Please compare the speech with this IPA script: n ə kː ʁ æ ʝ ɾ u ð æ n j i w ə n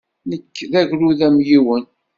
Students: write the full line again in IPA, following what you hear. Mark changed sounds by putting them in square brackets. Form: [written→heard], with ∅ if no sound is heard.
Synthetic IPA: n ə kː [ʁ→ð] æ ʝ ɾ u ð æ [n→m] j i w ə n